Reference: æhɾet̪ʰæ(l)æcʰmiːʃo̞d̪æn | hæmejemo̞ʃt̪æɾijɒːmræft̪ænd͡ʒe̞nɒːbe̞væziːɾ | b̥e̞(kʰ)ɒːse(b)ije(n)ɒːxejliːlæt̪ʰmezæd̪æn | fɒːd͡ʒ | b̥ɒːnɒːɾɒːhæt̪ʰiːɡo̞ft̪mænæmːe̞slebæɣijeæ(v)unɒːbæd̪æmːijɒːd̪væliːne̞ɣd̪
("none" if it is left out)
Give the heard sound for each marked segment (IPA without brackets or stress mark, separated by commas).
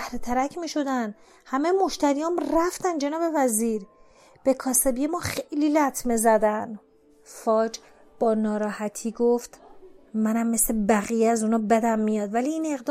ɾ, kʰ, b, m, z